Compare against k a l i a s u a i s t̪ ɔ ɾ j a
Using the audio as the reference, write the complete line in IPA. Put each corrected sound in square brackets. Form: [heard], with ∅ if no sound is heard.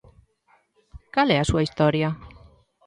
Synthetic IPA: k a l [ɛ] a s u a i s t̪ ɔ ɾ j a